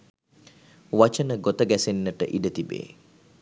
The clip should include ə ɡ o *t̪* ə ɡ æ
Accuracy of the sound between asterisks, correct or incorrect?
correct